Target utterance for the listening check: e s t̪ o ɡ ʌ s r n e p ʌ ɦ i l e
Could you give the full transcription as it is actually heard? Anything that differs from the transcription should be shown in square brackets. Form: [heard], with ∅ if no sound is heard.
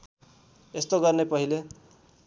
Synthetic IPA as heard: e s t̪ o ɡ ʌ [∅] r n e p ʌ ɦ i l e